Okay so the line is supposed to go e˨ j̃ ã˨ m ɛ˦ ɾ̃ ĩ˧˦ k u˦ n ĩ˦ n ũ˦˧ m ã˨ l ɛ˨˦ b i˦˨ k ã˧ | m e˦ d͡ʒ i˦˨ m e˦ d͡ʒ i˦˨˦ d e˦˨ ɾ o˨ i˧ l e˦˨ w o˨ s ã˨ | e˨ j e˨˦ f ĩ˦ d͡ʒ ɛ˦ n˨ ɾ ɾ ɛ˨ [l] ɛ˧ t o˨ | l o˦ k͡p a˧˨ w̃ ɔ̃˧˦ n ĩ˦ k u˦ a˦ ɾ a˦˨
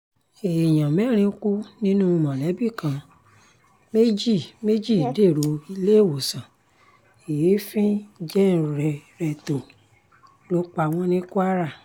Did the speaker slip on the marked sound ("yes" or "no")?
yes